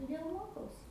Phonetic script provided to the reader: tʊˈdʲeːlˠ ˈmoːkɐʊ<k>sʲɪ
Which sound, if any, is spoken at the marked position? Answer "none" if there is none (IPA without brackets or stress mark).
none